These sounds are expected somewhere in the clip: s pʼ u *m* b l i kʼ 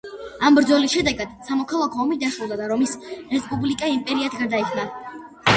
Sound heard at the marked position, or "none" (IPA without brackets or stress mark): none